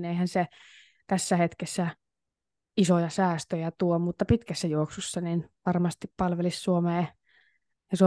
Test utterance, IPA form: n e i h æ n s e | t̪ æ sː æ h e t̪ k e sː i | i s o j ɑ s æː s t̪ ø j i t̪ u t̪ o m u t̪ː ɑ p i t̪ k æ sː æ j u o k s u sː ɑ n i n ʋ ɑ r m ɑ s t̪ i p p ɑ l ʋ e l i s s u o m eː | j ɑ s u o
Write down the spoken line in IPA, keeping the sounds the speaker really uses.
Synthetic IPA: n e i h æ n s e | t̪ æ sː æ h e t̪ k e sː æ | i s o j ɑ s æː s t̪ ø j æ t̪ u o m u t̪ː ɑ p i t̪ k æ sː æ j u o k s u sː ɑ n i n ʋ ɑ r m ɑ s t̪ i p p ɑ l ʋ e l i s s u o m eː | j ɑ s u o